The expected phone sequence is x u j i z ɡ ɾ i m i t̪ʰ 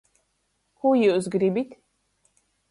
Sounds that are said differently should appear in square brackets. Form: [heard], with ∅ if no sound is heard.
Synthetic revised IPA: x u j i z ɡ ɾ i [b] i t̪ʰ